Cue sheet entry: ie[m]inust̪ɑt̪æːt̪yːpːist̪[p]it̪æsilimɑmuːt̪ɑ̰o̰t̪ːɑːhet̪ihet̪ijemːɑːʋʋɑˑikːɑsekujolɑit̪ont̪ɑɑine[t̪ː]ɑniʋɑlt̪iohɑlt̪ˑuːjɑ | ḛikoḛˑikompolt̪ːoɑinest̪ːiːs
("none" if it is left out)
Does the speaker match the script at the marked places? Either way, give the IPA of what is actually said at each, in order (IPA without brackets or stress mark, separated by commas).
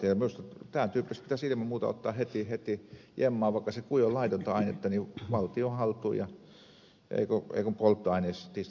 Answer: m, p, t̪ː